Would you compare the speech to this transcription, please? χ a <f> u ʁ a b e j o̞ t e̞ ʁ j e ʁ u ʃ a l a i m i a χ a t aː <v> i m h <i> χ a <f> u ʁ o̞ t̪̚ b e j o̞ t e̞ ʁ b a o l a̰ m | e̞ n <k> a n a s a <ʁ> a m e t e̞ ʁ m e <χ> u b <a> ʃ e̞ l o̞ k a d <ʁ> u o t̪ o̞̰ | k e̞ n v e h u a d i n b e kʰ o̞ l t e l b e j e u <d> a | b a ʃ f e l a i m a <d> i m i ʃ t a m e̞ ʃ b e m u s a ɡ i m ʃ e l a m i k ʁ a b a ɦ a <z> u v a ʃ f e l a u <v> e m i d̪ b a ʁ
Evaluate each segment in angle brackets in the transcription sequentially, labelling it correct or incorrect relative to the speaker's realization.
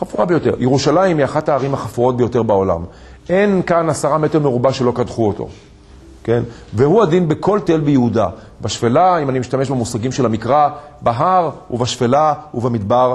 correct, incorrect: ʁ, incorrect: a, correct, correct, correct, incorrect: ʁ, correct, incorrect: χ, correct, incorrect: n, incorrect: ʁ, correct

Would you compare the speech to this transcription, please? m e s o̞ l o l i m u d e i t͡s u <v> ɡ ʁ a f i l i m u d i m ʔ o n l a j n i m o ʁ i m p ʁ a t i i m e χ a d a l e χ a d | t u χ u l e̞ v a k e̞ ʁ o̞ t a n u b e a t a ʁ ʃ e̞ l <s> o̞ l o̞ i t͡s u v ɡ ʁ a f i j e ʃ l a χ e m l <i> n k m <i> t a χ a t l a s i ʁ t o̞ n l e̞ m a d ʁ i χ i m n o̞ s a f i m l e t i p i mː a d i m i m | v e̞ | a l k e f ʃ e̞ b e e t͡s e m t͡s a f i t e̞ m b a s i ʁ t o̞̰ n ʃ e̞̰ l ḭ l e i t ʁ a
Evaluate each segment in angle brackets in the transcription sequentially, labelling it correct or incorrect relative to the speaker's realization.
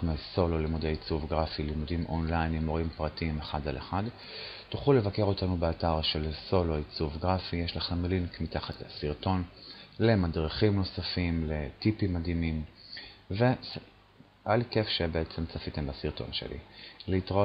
correct, correct, correct, correct

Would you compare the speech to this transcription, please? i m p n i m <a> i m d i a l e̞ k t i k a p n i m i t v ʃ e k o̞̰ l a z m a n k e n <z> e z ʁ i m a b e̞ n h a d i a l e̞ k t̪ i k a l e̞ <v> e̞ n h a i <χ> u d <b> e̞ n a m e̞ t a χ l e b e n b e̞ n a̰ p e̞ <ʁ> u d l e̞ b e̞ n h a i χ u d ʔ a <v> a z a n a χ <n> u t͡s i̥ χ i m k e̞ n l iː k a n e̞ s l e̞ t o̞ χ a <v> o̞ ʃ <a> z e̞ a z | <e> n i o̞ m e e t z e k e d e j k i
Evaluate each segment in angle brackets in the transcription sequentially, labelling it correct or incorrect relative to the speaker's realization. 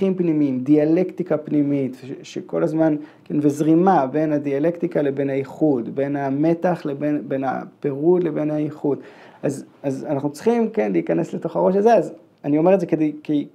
incorrect: i, incorrect: v, incorrect: b, correct, correct, correct, incorrect: z, correct, incorrect: ʁ, correct, incorrect: a

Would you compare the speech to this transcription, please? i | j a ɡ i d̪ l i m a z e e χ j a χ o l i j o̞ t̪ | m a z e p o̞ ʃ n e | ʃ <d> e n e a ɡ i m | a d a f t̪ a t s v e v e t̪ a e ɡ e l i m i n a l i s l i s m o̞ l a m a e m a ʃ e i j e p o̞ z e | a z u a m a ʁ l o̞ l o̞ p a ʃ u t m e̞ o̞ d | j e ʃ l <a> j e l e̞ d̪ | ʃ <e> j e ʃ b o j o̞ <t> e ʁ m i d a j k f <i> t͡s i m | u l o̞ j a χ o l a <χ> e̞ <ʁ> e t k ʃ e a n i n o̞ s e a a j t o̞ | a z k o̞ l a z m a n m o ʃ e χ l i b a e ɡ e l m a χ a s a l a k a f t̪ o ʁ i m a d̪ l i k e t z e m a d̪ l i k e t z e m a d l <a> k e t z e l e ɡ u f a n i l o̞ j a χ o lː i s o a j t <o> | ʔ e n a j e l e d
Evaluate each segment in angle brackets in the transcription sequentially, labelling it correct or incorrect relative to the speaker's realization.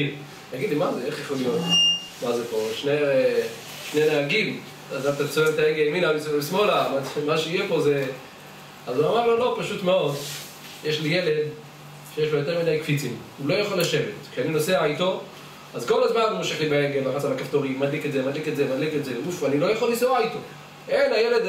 incorrect: n, incorrect: i, correct, correct, correct, incorrect: ʃ, incorrect: v, incorrect: i, correct

